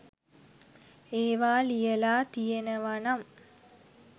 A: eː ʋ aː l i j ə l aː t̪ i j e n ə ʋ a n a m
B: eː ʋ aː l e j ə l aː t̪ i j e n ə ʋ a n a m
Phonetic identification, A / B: A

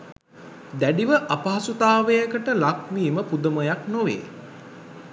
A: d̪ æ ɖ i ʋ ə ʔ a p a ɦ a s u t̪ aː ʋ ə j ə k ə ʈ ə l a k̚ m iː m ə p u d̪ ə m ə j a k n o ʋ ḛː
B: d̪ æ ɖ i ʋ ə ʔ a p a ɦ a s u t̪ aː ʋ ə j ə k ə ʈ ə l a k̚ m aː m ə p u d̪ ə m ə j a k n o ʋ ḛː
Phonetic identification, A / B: A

